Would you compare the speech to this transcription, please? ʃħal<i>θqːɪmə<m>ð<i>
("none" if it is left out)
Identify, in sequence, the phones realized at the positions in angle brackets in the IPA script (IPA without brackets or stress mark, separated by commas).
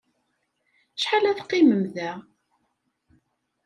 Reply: æ, m, æ